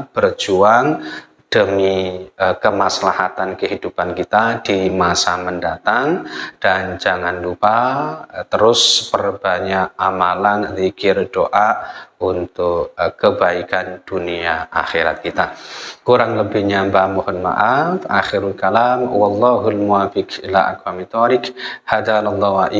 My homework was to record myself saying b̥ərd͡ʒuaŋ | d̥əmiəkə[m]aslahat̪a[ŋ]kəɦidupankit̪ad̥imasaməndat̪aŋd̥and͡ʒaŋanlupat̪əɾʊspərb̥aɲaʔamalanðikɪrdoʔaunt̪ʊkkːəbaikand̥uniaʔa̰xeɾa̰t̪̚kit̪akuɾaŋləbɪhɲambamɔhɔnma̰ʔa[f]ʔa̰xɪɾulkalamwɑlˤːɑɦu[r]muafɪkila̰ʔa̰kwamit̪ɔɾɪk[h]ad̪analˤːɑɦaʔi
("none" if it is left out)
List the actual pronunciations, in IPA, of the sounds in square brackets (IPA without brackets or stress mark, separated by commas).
m, n, f, l, h